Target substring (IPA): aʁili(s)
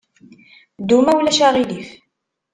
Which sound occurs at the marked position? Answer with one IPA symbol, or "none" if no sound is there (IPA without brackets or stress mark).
f